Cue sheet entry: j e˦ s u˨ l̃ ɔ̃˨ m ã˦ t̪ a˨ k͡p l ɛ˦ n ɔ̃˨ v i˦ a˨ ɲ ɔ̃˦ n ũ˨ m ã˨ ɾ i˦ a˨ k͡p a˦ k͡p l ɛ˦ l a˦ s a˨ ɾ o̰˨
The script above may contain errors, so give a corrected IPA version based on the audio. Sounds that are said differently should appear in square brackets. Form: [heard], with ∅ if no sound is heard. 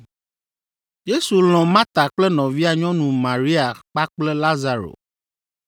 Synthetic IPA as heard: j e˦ s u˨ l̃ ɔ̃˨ m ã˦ t̪ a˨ k͡p l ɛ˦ n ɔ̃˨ v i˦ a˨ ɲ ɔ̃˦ n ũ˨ m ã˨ ɾ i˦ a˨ k͡p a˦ k͡p l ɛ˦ l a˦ [z] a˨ ɾ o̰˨